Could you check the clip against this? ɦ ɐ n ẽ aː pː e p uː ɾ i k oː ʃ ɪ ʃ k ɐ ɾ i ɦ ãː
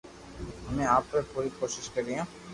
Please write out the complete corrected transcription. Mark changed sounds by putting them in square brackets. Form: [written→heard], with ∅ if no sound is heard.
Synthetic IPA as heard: ɦ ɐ [n→m] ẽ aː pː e p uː ɾ i k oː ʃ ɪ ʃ k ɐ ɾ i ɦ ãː